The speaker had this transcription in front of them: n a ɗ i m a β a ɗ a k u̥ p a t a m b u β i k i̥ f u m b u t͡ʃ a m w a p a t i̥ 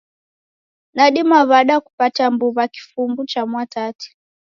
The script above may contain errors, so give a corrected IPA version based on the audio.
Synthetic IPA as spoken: n a ɗ i m a β a ɗ a k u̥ p a t a m b u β a k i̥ f u m b u t͡ʃ a m w a t a t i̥